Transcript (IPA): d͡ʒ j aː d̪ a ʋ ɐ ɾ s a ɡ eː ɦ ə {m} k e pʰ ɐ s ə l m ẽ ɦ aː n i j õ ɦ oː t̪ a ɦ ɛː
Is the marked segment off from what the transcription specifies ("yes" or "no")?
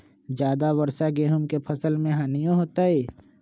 no